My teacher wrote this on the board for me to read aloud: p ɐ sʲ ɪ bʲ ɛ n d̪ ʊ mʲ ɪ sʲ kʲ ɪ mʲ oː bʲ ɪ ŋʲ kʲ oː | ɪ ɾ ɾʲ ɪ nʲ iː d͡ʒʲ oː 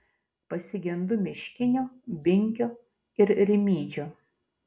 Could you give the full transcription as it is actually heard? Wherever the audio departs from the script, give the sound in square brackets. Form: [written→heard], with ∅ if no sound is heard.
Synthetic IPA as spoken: p ɐ sʲ ɪ [bʲ→ɡʲ] ɛ n d̪ ʊ mʲ ɪ [sʲ→ʃʲ] kʲ ɪ [mʲ→nʲ] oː bʲ ɪ ŋʲ kʲ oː | ɪ ɾ ɾʲ ɪ [nʲ→mʲ] iː d͡ʒʲ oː